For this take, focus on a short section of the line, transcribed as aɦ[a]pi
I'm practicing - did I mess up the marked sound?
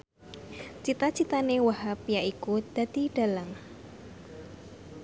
no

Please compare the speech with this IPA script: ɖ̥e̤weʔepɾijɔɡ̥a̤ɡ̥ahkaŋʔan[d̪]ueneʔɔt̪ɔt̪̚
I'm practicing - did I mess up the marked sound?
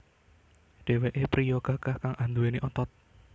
no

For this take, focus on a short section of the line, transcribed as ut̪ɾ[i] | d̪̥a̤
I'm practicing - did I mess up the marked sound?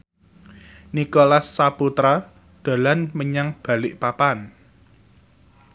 yes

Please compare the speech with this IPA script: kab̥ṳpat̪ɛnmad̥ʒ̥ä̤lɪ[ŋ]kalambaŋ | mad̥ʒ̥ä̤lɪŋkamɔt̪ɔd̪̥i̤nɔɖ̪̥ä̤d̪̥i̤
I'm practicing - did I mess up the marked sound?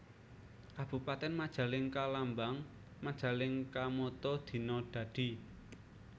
no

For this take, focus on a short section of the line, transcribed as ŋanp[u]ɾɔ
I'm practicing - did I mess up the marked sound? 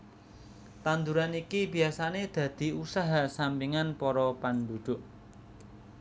yes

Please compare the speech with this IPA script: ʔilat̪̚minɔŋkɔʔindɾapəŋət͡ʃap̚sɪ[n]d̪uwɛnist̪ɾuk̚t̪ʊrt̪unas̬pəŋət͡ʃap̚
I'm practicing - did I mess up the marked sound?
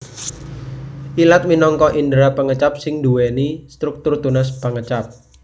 yes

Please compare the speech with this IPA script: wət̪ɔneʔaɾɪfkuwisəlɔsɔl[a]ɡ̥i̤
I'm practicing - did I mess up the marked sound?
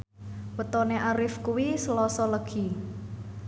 yes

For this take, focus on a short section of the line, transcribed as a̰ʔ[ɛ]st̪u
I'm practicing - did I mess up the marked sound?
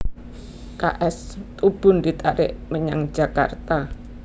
no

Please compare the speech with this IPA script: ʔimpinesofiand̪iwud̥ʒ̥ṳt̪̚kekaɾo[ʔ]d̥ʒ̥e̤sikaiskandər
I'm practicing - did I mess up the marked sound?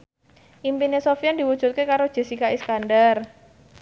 yes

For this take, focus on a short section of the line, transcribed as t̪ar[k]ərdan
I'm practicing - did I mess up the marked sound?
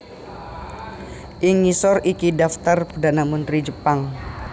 yes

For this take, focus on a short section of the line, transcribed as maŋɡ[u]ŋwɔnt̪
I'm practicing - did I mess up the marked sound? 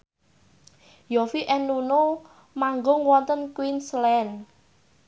yes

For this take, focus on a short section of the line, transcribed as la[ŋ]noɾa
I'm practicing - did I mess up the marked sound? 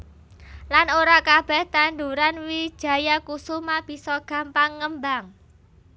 yes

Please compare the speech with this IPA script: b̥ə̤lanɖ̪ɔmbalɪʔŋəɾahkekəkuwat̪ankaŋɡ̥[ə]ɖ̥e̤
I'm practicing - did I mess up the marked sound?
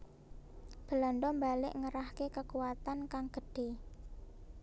no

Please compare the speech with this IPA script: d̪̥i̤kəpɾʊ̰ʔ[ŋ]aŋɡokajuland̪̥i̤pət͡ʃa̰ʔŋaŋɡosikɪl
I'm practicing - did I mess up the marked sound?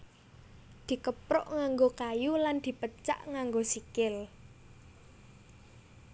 no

